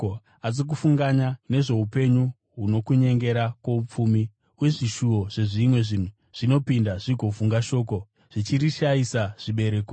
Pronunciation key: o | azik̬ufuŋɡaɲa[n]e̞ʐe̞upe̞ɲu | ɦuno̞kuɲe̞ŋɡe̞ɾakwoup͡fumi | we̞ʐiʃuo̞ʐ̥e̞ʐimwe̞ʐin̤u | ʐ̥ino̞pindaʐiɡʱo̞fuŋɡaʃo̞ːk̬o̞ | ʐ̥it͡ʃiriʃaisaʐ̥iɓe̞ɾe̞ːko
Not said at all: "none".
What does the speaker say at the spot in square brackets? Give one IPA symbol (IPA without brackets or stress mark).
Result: n